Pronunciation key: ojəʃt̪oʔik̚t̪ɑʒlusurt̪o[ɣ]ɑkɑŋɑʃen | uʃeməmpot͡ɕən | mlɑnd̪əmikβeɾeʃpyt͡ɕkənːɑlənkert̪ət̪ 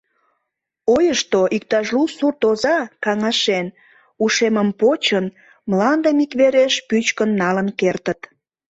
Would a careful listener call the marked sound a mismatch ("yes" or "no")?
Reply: yes